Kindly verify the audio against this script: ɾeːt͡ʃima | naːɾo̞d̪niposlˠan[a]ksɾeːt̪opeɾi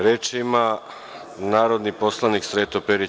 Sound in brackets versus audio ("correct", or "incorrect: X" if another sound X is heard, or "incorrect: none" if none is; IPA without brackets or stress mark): incorrect: i